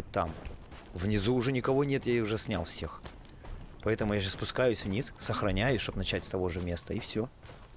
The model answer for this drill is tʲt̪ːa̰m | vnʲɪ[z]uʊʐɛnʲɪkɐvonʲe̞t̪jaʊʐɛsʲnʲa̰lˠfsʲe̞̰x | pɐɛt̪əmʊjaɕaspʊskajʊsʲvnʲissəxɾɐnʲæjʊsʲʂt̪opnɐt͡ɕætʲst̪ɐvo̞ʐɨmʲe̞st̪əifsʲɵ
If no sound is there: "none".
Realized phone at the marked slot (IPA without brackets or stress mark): z